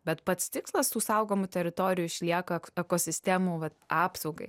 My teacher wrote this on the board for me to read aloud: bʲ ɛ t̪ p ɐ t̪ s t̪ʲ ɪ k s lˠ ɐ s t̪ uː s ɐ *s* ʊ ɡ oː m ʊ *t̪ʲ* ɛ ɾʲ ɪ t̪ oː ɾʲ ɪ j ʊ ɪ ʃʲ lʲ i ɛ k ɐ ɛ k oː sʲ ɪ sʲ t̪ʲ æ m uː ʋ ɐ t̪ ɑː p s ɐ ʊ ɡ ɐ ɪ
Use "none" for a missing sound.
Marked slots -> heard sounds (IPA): none, t̪ʲ

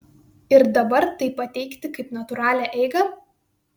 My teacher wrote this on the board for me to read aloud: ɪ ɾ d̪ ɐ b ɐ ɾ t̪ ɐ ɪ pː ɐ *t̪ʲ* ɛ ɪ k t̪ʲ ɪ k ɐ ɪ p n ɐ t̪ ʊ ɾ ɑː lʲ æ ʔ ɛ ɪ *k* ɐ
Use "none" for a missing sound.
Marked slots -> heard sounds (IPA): t̪ʲ, ɡ

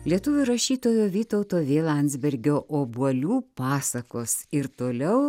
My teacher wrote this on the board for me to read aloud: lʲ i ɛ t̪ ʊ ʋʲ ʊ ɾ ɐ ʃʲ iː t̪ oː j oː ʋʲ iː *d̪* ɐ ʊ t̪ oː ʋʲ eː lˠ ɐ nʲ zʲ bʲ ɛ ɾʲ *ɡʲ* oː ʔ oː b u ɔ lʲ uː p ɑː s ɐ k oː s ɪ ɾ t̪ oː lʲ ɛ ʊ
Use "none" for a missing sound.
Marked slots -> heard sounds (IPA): t̪, ɡʲ

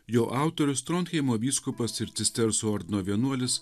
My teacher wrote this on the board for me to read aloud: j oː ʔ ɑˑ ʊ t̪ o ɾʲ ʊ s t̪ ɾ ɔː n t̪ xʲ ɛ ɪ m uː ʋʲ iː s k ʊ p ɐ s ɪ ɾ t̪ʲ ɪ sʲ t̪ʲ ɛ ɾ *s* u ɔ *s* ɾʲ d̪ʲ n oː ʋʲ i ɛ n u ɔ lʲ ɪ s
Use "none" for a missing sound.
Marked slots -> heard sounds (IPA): s, none

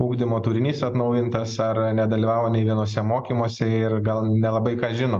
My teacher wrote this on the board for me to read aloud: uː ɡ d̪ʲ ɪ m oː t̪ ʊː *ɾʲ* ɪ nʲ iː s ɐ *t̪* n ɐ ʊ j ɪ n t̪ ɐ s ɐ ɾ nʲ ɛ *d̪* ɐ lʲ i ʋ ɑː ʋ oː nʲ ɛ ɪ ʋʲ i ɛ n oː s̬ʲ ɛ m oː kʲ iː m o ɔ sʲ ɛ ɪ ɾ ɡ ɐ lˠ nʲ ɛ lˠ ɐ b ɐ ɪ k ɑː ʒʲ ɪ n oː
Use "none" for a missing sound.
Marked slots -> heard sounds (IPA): ɾʲ, t̪, d̪

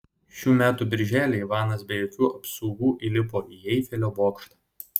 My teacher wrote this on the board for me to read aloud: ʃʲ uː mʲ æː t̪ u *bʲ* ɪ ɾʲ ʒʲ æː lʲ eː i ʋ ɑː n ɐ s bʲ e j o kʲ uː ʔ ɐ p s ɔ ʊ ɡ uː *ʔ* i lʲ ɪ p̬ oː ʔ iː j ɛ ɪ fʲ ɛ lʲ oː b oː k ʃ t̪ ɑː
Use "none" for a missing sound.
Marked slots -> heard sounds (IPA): bʲ, ʔ

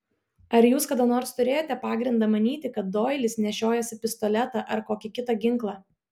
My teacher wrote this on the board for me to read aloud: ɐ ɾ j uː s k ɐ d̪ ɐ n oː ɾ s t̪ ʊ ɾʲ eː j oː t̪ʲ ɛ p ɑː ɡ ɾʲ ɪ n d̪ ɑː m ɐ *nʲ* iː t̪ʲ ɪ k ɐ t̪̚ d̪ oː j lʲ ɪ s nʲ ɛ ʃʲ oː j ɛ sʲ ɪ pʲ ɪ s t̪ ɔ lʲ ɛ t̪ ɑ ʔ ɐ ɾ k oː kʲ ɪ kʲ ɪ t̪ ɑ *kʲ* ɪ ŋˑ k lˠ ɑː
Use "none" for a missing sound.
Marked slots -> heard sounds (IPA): nʲ, ɡʲ

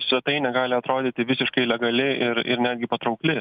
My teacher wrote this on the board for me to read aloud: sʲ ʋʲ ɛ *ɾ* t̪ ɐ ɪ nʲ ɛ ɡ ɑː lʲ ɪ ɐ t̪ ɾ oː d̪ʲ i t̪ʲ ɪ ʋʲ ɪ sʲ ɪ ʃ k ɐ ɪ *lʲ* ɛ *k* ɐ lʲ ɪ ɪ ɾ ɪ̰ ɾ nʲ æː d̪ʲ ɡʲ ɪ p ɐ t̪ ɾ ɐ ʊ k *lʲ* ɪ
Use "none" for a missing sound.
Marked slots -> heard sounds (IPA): none, lʲ, ɡ, lʲ

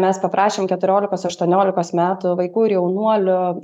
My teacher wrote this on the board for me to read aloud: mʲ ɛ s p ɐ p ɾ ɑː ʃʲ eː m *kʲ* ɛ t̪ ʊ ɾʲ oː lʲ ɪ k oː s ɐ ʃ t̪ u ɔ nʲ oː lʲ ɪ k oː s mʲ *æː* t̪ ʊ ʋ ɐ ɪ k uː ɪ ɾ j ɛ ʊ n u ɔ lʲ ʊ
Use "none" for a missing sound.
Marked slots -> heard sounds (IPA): kʲ, æː

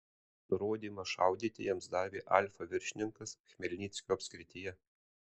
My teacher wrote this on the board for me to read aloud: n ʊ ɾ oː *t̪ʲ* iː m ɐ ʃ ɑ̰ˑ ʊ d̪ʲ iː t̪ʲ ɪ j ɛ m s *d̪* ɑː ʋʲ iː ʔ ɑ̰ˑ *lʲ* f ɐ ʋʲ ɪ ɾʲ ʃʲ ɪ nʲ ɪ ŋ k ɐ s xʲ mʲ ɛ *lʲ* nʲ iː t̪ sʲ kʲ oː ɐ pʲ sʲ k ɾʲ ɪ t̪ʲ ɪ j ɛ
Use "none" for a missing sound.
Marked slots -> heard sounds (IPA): d̪ʲ, d̪, lʲ, lʲ

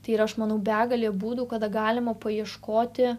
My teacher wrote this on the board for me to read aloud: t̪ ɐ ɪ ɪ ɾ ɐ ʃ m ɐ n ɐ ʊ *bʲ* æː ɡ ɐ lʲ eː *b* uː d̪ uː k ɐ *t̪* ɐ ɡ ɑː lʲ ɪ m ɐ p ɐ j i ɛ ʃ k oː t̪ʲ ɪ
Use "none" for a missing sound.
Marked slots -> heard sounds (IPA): bʲ, b, d̪

